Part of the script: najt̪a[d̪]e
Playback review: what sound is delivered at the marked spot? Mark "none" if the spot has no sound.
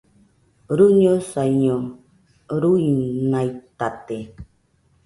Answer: t̪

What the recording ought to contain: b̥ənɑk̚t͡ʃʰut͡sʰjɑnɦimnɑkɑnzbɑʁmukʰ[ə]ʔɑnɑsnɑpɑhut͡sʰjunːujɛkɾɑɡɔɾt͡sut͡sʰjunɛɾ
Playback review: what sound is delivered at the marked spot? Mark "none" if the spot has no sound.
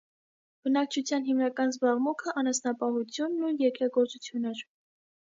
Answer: ə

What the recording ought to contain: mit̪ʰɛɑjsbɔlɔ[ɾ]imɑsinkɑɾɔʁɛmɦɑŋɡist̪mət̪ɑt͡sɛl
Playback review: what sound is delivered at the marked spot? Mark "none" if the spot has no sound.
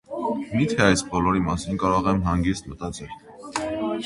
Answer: ɾ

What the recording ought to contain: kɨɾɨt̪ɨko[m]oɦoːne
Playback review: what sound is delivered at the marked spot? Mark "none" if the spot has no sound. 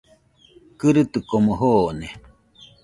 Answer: m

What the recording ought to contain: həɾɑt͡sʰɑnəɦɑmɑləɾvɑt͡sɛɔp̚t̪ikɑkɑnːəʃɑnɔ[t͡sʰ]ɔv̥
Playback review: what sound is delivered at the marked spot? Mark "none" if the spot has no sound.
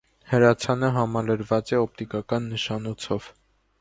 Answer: t͡sʰ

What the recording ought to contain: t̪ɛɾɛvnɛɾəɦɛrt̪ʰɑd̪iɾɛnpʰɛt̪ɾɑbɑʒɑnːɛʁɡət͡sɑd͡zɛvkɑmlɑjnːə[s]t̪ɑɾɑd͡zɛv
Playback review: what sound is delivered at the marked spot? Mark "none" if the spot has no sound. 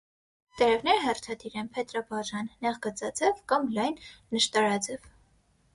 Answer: ʃ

